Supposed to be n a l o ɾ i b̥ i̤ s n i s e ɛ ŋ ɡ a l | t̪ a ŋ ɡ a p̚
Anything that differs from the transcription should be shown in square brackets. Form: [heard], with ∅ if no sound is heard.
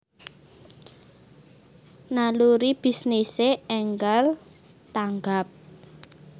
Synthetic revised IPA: n a l [u] ɾ i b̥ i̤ s n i s e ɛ ŋ ɡ a l | t̪ a ŋ ɡ a p̚